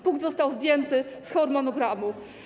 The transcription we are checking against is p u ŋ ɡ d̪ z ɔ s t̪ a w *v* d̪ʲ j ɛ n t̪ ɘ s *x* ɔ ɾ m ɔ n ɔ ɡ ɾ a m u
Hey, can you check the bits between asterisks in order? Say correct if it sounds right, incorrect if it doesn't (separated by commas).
incorrect, correct